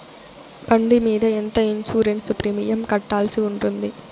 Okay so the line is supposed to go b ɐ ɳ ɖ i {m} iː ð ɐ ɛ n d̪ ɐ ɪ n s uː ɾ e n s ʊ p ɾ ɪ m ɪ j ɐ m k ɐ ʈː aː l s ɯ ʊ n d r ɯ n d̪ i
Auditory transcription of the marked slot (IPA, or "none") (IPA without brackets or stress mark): m